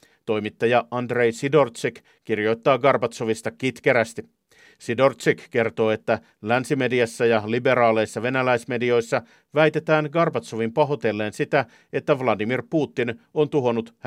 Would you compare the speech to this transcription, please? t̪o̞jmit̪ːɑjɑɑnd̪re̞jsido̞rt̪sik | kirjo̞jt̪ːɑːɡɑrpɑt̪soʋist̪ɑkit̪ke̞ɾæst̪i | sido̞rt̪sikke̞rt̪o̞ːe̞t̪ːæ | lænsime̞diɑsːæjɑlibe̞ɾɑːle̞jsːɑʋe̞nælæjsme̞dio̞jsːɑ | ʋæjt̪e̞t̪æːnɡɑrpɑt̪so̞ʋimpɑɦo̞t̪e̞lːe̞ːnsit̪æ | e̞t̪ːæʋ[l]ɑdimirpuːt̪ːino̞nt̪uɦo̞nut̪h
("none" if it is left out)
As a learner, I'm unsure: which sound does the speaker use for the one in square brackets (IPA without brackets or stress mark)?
l